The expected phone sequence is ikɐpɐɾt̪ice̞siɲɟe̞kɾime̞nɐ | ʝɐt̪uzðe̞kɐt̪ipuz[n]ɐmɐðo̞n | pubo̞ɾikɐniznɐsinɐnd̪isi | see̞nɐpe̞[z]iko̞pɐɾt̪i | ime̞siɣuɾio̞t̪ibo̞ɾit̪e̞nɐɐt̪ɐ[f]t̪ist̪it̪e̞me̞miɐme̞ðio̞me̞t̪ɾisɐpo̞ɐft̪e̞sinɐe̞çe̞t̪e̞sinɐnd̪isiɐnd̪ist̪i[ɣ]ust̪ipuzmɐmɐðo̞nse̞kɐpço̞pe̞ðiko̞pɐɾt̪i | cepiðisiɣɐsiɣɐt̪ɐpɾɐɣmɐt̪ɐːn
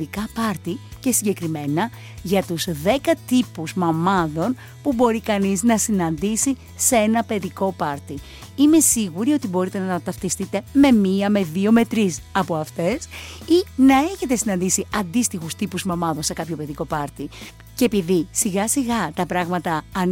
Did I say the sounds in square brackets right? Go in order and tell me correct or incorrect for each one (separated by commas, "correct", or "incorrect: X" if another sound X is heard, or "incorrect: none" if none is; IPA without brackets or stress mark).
incorrect: m, incorrect: ð, correct, incorrect: x